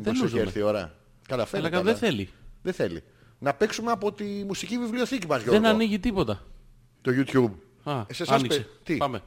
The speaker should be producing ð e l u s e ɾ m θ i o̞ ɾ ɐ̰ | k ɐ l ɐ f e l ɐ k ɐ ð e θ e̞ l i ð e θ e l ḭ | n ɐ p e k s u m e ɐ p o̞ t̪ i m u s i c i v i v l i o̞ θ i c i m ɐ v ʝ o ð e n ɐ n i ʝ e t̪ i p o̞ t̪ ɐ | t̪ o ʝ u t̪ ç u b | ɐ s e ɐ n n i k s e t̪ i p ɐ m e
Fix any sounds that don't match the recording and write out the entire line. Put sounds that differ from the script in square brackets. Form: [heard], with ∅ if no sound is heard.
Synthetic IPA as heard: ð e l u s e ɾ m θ i o̞ ɾ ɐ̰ | k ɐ l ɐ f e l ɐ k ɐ ð e θ e̞ l i ð e θ e l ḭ | n ɐ p e k s u m e ɐ p o̞ t̪ i m u s i c i v i v l i o̞ θ i c i m ɐ [z] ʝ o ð e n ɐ n i ʝ [i] t̪ i p o̞ t̪ ɐ | t̪ o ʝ u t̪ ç u b | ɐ s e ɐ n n i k s e t̪ i p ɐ m e